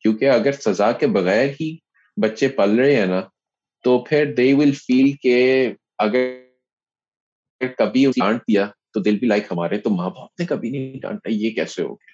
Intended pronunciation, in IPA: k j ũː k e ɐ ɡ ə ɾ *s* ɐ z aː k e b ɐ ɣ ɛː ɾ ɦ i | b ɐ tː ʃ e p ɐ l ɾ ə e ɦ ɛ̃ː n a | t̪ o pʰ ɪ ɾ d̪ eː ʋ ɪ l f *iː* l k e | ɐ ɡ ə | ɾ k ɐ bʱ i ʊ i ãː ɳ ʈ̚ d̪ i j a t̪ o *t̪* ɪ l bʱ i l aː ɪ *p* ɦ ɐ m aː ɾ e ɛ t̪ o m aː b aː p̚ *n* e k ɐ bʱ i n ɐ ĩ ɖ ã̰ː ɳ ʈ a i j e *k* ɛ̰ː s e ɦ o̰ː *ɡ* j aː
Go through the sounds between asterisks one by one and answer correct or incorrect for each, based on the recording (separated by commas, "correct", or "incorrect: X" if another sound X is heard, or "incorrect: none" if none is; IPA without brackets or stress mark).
correct, correct, incorrect: d̪, incorrect: k, correct, correct, correct